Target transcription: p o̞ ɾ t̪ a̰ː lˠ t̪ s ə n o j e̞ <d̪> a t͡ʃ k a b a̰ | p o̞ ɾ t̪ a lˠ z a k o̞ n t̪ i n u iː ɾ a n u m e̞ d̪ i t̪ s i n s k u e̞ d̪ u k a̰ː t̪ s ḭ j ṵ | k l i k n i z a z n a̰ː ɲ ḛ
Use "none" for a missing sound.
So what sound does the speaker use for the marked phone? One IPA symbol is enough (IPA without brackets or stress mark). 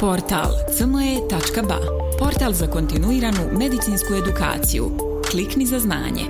t̪